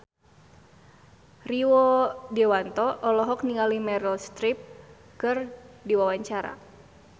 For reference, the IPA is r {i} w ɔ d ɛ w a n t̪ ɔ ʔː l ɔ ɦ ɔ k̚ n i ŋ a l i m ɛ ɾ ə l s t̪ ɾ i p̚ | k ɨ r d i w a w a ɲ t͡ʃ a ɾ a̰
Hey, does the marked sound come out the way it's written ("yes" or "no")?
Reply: yes